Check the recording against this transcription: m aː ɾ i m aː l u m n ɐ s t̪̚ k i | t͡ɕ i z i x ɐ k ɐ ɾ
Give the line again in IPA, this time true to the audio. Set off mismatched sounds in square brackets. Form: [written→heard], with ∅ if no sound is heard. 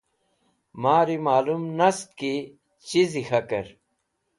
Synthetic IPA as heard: m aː ɾ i m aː l u m n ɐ s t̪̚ k i | t͡ɕ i z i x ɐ k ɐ ɾ